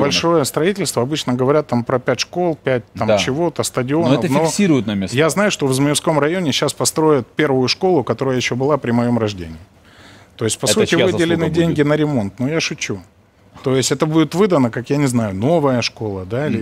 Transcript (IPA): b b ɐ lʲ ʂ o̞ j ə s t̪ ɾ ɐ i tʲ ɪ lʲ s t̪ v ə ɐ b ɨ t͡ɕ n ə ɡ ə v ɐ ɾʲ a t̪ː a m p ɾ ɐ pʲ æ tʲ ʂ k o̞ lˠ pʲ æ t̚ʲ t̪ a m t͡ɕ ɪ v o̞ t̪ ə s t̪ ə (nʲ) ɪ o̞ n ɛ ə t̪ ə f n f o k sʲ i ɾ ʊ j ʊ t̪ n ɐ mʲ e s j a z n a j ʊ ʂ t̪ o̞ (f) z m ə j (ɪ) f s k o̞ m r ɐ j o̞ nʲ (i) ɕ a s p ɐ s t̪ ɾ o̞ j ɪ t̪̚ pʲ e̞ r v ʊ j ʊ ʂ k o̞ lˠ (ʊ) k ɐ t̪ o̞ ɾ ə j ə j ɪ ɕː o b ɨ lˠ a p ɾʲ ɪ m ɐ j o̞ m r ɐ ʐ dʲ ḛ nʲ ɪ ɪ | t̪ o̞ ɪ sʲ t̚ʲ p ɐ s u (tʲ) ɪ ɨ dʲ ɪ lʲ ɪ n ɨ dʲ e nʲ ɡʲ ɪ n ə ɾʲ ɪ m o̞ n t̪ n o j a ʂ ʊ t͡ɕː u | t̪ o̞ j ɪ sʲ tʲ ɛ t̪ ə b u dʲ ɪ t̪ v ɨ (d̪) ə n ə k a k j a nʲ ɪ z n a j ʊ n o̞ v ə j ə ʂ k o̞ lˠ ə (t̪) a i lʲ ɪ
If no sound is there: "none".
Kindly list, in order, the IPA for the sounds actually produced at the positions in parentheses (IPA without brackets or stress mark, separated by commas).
dʲ, v, ɪ, ɪ, ʊ, tʲ, d̪, d̪